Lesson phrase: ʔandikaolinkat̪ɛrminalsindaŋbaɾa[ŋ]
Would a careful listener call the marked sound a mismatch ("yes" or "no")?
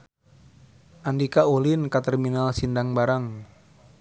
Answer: no